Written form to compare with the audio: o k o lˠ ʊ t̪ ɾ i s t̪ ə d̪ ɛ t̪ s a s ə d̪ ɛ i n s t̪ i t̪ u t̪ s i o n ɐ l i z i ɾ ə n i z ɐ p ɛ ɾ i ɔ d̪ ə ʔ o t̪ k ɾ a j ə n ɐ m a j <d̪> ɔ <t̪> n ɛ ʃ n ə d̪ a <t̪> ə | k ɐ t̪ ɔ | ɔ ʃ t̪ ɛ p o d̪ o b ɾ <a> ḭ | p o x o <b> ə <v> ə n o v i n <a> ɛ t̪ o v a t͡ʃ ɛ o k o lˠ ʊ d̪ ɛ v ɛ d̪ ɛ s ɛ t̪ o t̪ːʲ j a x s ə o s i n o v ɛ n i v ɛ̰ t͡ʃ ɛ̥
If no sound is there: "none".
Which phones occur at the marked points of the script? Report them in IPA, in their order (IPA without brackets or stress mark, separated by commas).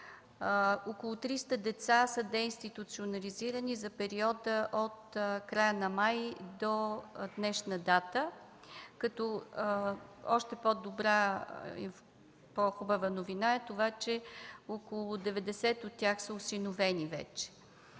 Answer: d̪, d̪, t̪, a, b, v, a